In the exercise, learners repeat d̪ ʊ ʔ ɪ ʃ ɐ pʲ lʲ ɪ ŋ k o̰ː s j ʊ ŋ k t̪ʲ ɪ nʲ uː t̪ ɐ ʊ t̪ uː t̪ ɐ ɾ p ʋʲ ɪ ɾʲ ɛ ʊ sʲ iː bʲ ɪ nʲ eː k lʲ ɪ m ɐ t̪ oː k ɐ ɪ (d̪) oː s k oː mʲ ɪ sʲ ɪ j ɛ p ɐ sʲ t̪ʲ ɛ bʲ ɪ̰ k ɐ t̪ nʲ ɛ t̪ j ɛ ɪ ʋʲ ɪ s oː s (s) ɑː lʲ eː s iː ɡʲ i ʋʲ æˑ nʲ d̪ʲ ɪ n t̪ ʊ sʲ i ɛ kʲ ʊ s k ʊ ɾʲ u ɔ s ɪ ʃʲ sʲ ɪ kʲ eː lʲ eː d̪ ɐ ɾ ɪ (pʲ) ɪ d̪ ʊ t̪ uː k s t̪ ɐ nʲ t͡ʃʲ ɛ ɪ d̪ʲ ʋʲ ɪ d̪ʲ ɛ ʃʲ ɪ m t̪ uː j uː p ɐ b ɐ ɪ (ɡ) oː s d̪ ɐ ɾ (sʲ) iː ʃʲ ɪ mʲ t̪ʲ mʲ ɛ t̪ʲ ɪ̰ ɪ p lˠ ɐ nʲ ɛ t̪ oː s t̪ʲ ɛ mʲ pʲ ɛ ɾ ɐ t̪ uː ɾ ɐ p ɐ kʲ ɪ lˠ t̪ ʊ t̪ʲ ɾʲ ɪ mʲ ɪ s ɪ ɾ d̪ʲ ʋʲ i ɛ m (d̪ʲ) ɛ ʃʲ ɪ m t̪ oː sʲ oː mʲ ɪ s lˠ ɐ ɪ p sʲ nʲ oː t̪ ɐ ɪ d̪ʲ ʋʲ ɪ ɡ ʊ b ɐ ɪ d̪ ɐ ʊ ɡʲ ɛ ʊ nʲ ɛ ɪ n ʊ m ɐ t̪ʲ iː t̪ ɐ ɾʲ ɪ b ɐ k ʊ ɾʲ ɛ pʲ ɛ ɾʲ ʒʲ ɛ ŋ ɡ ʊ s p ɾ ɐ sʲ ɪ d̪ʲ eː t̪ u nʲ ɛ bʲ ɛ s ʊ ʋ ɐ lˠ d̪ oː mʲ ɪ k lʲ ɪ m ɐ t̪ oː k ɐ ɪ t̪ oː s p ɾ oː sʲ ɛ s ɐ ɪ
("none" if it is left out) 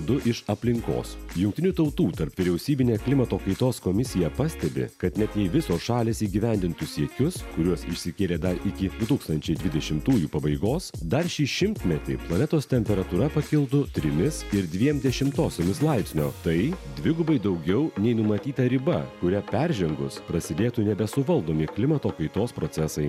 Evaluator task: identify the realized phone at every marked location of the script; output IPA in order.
t̪, ʃ, kʲ, ɡ, ʃʲ, d̪ʲ

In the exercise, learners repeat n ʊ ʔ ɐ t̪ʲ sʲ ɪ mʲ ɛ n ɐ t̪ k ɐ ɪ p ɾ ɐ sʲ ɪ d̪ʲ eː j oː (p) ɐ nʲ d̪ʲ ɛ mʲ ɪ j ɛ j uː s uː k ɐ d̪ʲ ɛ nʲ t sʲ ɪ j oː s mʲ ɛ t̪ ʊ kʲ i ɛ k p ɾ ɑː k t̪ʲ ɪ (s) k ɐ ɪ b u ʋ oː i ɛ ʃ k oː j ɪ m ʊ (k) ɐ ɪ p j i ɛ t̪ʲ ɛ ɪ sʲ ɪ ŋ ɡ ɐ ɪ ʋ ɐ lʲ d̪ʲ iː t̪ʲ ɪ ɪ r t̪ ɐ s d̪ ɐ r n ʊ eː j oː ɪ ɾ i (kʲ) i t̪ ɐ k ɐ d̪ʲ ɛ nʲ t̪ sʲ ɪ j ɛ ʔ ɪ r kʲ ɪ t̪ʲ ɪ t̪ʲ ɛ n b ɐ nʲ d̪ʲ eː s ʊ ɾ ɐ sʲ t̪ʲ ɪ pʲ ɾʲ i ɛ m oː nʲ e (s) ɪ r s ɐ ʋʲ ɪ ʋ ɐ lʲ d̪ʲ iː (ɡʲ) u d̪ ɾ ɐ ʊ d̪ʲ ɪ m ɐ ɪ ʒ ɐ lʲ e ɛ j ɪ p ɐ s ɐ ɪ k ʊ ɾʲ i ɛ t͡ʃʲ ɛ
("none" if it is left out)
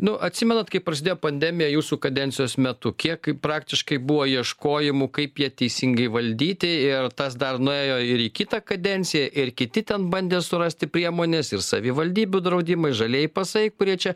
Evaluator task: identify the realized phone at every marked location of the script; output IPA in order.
p, ʃ, k, kʲ, s, bʲ

